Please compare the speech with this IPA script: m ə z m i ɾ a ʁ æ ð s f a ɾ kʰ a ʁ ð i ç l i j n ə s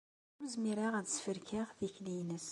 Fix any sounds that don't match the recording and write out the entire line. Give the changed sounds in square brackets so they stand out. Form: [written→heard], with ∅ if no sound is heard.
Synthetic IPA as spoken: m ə z m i ɾ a ʁ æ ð s f [a→ə] ɾ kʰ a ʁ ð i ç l i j n ə s